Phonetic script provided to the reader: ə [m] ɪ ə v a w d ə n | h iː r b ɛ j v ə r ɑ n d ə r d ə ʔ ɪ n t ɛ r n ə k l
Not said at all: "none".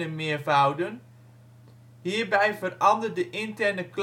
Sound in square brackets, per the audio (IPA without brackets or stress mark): m